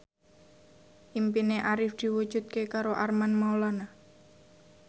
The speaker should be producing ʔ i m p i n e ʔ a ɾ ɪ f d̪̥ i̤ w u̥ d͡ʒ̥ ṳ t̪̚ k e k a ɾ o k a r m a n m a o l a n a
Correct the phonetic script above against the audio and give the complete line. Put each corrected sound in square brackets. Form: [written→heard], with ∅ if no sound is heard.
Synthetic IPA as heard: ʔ i m p i n e ʔ a ɾ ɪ f d̪̥ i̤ w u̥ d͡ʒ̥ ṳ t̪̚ k e k a ɾ o [k→ʔ] a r m a n m a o l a n a